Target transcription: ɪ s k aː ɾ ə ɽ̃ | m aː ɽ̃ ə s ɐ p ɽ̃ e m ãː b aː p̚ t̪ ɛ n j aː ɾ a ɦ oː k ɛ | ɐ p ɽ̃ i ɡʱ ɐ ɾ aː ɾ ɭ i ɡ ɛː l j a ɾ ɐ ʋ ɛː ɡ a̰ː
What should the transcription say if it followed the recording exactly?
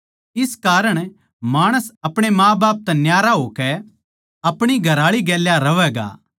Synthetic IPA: ɪ s k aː ɾ ə ɽ̃ | m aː ɽ̃ ə s ɐ p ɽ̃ e m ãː b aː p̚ t̪ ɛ n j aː ɾ a ɦ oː k ɛ | ɐ p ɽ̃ i ɡʱ ɐ ɾ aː ɭ i ɡ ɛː l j a ɾ ɐ ʋ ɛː ɡ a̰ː